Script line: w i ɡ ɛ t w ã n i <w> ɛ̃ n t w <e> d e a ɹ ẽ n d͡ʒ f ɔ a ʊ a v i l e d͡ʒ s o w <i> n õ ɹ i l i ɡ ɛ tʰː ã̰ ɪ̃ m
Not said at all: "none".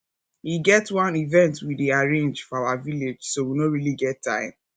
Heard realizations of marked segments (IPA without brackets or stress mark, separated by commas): v, i, i